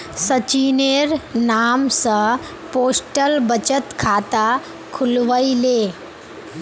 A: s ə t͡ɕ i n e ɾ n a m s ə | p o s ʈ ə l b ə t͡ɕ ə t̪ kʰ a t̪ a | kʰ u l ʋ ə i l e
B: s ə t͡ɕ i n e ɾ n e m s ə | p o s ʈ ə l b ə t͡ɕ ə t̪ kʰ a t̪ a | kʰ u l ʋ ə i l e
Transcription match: A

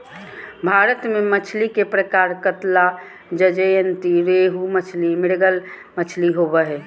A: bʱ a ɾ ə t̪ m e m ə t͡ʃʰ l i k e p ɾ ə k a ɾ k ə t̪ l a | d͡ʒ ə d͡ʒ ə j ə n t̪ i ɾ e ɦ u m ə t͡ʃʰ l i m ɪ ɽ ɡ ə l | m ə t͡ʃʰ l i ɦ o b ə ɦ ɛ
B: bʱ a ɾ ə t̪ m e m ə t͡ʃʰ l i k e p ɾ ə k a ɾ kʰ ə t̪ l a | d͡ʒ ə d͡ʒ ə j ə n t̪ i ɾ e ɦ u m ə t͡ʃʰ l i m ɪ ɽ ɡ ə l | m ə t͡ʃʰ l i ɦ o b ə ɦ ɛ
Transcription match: A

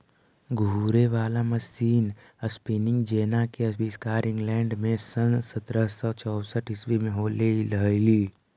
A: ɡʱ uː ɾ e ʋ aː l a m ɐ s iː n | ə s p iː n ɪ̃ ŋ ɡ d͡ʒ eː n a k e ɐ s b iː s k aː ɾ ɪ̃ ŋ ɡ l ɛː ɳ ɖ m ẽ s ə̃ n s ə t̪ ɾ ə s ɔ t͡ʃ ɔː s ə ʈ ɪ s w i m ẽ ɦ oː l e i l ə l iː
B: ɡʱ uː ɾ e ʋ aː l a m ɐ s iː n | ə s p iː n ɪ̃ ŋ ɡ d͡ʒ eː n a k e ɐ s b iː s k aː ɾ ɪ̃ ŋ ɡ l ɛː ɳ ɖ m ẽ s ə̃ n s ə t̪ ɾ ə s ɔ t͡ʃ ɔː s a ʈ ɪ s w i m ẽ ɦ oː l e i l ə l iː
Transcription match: A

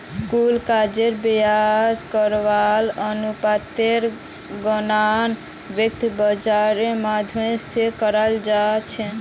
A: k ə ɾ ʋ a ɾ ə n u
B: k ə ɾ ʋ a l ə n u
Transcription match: B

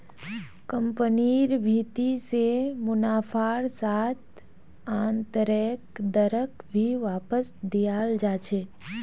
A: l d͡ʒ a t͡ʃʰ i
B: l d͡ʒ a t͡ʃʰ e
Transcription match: B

